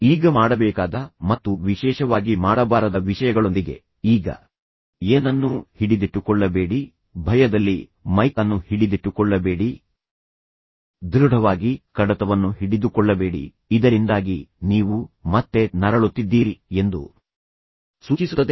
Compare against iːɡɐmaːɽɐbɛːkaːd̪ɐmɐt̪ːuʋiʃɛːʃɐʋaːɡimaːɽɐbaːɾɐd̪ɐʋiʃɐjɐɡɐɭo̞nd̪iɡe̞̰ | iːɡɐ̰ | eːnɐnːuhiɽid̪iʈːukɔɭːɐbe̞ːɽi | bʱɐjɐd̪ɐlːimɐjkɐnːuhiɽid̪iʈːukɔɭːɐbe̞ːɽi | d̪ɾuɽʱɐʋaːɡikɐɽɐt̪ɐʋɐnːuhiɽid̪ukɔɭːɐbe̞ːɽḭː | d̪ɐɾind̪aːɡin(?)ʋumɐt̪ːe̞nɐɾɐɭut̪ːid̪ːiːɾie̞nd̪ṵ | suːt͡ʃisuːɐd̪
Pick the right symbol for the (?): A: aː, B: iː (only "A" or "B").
B